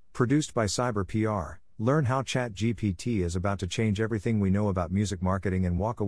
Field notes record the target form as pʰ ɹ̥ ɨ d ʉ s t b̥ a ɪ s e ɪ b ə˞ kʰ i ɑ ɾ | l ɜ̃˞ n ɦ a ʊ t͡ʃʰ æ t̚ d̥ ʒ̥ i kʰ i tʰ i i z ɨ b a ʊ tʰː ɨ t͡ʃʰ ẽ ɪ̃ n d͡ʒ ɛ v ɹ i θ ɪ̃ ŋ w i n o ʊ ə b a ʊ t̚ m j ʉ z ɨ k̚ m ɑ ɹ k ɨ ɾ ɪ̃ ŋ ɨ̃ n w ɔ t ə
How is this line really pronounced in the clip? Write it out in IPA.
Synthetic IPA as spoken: pʰ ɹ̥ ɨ d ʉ s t b̥ a ɪ s a ɪ b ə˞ pʰ i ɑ ɹ | l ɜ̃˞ n ɦ a ʊ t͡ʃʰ æ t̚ d̥ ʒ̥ i pʰ i tʰ i ɪ z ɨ b a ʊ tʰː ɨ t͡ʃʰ ẽ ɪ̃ n d͡ʒ ɛ v ɹ i θ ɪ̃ ŋ w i n o ʊ ə b a ʊ t̚ m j ʉ z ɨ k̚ m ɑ ɹ k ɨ ɾ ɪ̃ ŋ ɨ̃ n w ɔ k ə